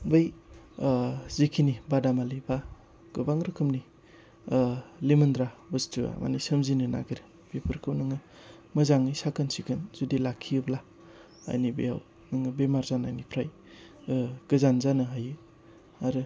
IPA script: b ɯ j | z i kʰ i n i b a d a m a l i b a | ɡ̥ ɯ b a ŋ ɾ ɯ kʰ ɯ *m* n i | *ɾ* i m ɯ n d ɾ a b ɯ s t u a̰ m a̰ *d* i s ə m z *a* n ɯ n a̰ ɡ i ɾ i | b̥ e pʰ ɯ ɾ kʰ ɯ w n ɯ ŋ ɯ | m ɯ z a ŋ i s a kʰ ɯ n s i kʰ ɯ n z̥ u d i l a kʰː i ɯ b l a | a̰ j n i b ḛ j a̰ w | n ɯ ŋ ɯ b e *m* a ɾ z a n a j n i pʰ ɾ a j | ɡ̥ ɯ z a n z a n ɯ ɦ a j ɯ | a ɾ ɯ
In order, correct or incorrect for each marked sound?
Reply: correct, incorrect, incorrect, incorrect, correct

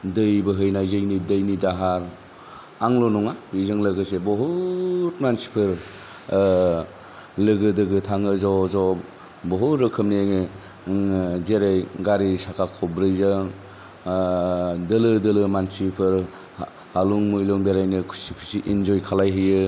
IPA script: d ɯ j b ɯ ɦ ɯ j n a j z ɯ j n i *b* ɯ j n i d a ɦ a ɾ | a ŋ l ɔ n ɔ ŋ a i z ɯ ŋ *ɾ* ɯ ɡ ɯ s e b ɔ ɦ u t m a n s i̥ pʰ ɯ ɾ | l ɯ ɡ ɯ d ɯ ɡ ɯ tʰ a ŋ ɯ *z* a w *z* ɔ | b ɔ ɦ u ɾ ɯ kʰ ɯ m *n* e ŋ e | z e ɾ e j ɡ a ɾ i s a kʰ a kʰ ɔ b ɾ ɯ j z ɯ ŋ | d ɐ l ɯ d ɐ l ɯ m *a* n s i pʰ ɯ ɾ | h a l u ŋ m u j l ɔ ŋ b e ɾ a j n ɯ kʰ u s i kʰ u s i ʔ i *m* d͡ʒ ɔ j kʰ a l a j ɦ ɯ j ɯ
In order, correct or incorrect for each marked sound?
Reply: incorrect, incorrect, correct, correct, correct, correct, incorrect

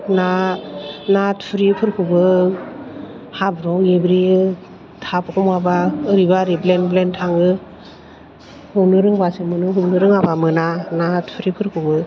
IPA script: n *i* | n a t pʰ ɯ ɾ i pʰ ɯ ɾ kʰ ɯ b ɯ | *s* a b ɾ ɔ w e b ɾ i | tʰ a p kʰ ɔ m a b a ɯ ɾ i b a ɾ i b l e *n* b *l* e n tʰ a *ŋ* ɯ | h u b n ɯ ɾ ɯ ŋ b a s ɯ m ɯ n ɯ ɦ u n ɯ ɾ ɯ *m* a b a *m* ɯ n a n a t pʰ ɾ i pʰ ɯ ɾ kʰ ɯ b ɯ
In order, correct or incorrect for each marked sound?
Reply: incorrect, incorrect, correct, correct, correct, incorrect, correct

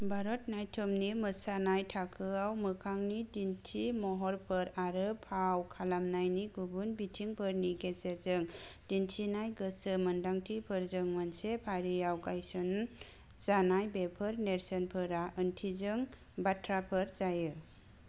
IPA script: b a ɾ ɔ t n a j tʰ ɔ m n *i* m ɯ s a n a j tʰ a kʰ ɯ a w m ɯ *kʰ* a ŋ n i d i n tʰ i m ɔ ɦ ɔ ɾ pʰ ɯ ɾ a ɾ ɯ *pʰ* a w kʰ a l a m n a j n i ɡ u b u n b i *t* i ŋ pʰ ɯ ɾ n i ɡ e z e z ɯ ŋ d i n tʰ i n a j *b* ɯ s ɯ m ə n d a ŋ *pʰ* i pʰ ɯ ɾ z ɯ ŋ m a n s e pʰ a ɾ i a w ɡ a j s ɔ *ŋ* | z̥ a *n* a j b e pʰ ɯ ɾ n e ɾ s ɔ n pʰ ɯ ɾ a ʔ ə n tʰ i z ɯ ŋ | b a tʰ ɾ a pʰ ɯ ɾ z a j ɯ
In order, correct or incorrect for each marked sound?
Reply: correct, correct, correct, incorrect, incorrect, incorrect, incorrect, correct

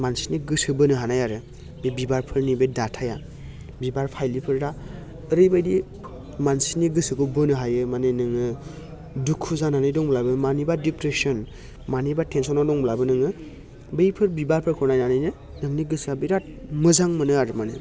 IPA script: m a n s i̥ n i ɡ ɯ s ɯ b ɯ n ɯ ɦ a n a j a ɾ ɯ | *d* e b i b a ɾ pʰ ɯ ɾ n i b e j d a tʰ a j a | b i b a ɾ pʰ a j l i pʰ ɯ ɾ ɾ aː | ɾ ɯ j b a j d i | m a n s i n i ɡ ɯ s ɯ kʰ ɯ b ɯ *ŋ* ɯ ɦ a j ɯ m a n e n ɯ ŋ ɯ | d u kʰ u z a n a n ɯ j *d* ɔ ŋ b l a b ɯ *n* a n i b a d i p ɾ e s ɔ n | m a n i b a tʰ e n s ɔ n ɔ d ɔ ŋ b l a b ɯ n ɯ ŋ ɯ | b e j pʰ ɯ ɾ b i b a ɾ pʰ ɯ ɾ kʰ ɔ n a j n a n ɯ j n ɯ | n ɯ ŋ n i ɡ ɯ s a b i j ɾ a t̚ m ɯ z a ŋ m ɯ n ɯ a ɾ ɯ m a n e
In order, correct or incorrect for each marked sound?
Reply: incorrect, incorrect, correct, incorrect

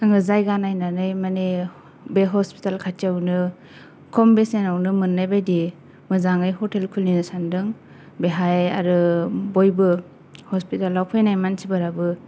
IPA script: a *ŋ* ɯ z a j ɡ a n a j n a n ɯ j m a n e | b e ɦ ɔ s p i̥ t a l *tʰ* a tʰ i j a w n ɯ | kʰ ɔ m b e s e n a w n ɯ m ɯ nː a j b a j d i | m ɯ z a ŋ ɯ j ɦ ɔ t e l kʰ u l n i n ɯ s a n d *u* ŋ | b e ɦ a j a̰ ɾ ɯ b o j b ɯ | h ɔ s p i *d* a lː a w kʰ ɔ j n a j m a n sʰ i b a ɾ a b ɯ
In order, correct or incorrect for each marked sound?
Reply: correct, incorrect, incorrect, incorrect

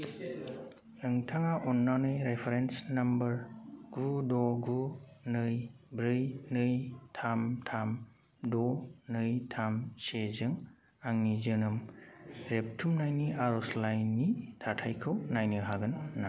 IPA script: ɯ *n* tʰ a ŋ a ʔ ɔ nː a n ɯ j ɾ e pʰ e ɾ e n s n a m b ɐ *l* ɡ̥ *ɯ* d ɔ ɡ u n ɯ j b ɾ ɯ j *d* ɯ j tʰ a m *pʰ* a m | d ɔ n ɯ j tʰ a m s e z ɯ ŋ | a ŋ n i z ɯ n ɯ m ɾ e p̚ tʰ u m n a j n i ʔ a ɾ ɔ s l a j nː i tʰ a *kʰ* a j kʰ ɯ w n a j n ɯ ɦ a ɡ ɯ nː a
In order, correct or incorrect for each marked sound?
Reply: incorrect, incorrect, incorrect, incorrect, incorrect, incorrect

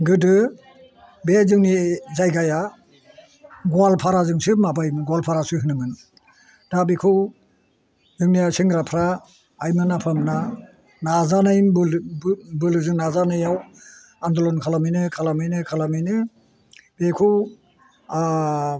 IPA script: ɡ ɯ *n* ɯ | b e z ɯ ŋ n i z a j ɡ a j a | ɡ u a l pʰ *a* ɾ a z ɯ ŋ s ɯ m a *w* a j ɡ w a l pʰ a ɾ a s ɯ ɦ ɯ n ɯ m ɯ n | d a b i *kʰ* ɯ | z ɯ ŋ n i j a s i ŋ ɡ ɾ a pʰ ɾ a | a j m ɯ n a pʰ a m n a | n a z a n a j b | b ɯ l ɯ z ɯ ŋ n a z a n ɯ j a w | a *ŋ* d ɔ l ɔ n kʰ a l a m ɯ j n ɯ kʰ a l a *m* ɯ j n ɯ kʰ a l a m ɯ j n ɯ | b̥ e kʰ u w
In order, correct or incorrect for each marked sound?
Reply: incorrect, correct, incorrect, correct, incorrect, correct

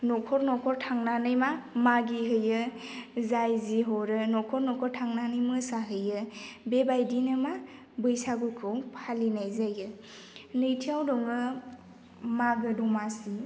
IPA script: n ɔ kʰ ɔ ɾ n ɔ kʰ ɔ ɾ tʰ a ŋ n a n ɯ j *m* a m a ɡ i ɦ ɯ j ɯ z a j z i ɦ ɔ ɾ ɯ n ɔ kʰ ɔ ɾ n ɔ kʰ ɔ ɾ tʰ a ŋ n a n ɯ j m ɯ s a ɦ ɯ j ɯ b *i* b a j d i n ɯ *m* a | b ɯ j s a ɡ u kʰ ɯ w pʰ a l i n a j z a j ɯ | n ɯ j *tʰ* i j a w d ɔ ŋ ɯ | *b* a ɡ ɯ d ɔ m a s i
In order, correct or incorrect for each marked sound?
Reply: correct, incorrect, correct, correct, incorrect

